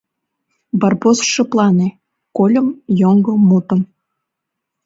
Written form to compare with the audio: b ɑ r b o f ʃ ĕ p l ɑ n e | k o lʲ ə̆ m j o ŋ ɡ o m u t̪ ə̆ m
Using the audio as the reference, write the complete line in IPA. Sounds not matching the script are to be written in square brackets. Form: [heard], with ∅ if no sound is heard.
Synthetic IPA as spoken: b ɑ r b o [s] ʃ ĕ p l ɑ n e | k o lʲ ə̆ m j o ŋ ɡ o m u t̪ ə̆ m